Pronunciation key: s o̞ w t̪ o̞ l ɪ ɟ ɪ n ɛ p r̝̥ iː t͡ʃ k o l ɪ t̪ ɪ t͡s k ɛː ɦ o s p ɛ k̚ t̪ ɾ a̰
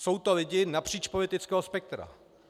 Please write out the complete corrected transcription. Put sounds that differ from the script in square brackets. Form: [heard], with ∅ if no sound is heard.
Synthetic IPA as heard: s o̞ w t̪ o̞ l ɪ ɟ ɪ n [a] p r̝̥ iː t͡ʃ [p] o l ɪ t̪ ɪ t͡s k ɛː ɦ o s p ɛ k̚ t̪ ɾ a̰